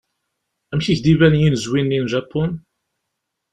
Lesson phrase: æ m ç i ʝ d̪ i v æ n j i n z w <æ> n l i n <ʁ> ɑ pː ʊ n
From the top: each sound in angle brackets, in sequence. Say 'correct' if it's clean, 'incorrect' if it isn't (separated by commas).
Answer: incorrect, incorrect